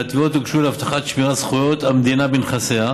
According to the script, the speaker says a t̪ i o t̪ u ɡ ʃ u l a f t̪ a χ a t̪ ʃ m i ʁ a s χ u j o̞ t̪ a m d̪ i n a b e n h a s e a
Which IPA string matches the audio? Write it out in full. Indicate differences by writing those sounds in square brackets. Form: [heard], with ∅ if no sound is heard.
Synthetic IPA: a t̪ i o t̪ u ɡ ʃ u l a f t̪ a χ a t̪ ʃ m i ʁ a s χ u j o̞ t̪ a m d̪ i n a b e n [χ] a s e a